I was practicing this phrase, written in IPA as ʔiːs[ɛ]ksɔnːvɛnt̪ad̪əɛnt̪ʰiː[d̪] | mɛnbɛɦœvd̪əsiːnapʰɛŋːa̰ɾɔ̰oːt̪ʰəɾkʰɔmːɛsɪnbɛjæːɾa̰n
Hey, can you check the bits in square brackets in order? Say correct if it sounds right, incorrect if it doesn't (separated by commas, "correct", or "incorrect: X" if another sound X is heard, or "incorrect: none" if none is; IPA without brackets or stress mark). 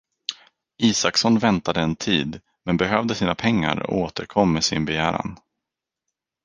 incorrect: a, correct